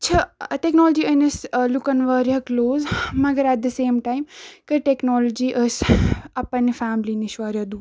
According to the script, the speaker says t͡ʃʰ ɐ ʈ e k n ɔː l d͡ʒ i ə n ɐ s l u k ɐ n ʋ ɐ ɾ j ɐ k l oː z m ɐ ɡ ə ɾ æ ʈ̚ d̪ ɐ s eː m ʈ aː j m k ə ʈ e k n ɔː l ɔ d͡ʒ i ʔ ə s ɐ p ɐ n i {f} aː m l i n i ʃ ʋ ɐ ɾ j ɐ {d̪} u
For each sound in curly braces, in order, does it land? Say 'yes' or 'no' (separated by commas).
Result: yes, yes